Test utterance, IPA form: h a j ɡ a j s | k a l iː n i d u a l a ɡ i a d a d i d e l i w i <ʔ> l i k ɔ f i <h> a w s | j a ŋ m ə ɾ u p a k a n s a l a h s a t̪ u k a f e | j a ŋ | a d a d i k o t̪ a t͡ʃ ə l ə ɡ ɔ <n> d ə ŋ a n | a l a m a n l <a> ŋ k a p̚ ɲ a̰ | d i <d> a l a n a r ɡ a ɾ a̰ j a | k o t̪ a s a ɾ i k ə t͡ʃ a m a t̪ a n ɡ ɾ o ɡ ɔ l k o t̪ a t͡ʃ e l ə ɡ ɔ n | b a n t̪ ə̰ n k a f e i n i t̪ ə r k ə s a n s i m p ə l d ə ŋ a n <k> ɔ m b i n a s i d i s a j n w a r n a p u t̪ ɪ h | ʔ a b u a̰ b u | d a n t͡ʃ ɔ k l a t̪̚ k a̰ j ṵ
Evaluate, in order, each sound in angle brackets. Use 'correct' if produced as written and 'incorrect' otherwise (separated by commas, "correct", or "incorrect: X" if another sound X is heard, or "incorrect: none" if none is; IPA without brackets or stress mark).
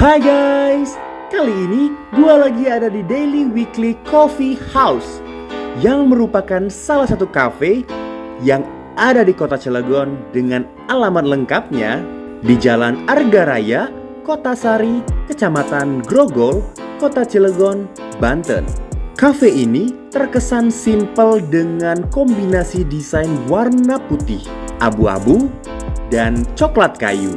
incorrect: k, correct, correct, incorrect: ə, incorrect: d͡ʒ, correct